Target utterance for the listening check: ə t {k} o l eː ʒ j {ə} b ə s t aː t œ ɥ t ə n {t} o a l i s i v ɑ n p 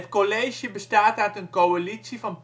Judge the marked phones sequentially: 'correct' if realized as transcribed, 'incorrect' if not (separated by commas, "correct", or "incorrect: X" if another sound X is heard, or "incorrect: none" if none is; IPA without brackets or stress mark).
correct, correct, incorrect: k